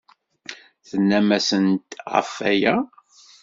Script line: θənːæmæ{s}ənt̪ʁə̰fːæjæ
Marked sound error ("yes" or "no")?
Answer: no